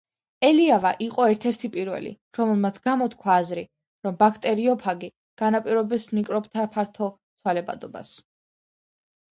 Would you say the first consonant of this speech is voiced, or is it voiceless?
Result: voiced